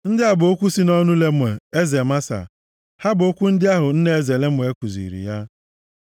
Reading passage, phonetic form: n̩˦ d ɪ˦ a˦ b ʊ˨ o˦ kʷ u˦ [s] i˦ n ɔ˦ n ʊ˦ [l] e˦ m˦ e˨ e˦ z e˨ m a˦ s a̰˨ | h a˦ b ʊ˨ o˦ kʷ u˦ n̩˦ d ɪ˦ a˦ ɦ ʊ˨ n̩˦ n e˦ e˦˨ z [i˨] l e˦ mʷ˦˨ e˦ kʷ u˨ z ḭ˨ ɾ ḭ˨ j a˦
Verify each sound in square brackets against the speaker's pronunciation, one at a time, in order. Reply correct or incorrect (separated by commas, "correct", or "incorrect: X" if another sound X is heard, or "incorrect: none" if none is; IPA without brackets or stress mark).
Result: correct, correct, incorrect: e˨